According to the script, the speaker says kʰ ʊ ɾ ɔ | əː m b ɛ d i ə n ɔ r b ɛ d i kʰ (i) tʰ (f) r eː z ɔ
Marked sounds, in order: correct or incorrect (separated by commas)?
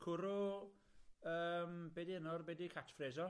incorrect, correct